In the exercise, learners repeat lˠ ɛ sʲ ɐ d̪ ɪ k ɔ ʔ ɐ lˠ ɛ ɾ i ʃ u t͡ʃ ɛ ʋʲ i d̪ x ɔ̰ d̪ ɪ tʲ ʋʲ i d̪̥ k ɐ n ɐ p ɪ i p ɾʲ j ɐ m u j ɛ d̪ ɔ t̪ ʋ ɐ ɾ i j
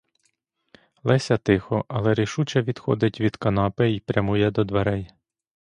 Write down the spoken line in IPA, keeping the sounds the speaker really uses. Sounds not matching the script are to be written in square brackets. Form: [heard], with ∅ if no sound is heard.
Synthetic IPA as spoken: lˠ ɛ sʲ ɐ [t̪] ɪ [x] ɔ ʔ ɐ lˠ ɛ ɾ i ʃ u t͡ʃ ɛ ʋʲ i d̪ x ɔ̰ d̪ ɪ tʲ ʋʲ i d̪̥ k ɐ n [ɑ] p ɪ i p ɾʲ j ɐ m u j ɛ d̪ ɔ [d̪] ʋ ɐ ɾ [ɛ] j